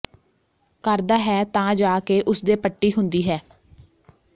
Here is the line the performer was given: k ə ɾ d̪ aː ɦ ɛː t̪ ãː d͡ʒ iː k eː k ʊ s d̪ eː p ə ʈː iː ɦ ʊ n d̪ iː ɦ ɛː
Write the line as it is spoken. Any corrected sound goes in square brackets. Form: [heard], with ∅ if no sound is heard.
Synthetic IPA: k ə ɾ d̪ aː ɦ ɛː t̪ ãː d͡ʒ [aː] k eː [ʔ] ʊ s d̪ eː p ə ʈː iː ɦ ʊ n d̪ iː ɦ ɛː